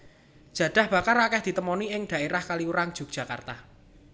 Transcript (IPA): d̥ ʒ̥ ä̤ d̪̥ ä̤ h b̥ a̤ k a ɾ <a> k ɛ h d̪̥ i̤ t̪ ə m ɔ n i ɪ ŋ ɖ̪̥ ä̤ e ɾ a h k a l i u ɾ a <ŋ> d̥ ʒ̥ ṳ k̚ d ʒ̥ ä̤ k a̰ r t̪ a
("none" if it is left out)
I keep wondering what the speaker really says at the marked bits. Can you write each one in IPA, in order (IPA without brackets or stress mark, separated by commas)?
a, ŋ